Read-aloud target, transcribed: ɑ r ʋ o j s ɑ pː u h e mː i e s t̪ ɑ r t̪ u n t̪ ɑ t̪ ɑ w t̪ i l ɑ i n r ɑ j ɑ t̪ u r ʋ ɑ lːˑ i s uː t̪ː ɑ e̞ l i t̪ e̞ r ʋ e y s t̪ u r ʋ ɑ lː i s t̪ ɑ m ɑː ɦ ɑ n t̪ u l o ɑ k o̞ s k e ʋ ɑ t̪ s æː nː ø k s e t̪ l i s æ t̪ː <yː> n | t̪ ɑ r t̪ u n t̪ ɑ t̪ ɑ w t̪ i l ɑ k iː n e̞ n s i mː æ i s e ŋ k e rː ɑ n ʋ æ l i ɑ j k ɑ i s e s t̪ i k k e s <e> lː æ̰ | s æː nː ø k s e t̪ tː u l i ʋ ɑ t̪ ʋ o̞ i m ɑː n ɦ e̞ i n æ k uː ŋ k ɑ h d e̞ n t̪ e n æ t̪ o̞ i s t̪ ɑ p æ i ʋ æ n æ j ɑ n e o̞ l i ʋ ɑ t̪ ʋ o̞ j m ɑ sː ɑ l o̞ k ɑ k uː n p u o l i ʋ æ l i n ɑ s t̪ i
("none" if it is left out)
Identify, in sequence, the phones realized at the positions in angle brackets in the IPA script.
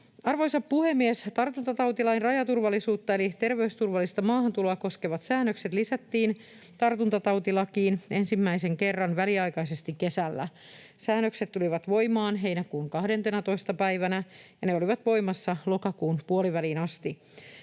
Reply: iː, æ

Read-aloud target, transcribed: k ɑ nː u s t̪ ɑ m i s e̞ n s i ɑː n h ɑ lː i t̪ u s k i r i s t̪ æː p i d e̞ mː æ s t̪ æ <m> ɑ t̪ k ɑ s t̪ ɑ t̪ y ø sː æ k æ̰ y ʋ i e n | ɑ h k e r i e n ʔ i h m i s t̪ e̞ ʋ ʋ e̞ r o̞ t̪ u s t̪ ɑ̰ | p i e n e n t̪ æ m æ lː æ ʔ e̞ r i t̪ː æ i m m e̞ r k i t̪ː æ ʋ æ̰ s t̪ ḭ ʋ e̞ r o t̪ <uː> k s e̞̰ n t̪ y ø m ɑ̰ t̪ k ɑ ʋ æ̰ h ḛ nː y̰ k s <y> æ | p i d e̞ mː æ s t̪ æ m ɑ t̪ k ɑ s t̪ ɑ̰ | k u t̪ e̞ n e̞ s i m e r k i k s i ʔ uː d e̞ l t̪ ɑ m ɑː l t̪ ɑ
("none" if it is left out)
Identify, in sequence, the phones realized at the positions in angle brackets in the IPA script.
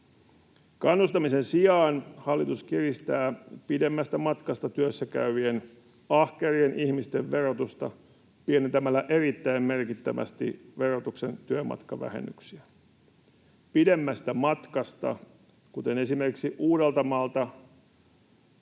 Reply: m, u, i

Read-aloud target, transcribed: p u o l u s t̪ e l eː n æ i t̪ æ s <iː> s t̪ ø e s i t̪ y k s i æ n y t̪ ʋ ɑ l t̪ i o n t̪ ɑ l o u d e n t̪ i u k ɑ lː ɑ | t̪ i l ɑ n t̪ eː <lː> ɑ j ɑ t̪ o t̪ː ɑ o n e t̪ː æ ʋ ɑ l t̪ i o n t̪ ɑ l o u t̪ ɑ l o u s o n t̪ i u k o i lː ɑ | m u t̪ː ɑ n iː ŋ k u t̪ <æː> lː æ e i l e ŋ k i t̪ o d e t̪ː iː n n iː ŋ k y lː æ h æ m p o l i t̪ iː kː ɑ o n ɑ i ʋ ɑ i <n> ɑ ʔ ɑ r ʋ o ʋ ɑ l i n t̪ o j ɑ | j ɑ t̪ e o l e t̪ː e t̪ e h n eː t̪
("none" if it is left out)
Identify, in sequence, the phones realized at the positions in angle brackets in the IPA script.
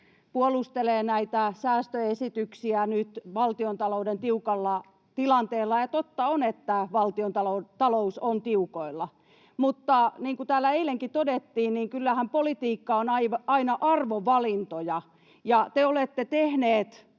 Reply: æː, lː, æː, n

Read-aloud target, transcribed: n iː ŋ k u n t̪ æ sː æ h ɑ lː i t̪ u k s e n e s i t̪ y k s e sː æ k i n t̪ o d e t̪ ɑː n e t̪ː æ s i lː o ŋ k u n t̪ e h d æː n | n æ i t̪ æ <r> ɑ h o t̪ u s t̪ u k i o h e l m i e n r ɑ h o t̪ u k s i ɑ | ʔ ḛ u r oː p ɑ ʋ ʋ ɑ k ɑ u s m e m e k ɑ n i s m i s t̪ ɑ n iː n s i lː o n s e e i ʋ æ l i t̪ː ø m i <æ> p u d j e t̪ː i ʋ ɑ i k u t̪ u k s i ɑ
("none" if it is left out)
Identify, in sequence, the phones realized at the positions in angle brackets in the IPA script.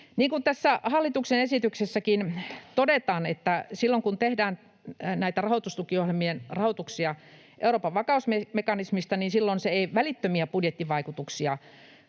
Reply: r, æ

